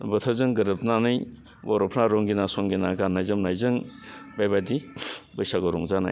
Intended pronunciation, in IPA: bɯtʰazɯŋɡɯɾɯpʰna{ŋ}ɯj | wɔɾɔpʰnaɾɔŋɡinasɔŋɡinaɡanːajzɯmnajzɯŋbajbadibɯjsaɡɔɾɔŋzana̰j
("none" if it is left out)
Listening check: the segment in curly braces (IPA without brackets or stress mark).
n